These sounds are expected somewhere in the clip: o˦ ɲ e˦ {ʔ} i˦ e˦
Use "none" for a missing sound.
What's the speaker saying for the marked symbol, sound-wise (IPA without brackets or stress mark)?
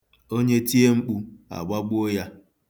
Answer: t